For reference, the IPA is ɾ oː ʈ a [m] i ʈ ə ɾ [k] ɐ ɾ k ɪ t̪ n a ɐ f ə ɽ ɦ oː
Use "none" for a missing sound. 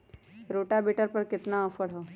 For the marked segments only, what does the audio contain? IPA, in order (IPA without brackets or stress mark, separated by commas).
b, p